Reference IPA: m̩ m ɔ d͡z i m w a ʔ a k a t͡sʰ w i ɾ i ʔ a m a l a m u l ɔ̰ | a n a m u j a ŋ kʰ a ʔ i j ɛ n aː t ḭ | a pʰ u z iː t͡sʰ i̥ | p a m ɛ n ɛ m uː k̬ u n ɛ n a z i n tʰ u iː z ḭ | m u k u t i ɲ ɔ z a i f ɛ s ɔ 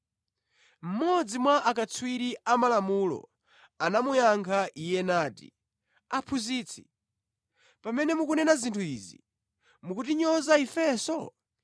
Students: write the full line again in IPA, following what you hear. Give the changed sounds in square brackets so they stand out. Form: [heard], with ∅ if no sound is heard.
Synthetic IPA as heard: m̩ m ɔ d͡z i m w a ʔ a k a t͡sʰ w i ɾ i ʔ a m a l a m u l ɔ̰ | a n a m u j a ŋ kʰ a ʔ i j ɛ n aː t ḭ | a pʰ u z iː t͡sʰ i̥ | p a m ɛ n ɛ m [u] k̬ u n ɛ n a z i n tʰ u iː z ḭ | m u k u t i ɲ ɔ z a i f ɛ s ɔ